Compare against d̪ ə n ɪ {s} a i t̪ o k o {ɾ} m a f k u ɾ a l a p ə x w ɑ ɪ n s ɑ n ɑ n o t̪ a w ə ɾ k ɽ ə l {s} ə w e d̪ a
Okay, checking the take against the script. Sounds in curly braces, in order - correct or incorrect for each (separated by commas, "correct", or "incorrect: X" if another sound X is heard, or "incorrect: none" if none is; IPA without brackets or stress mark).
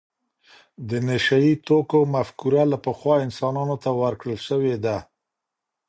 incorrect: ʃ, incorrect: none, incorrect: ʃ